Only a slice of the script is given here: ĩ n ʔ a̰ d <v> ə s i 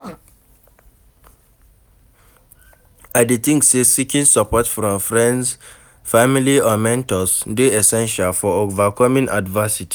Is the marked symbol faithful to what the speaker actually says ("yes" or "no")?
yes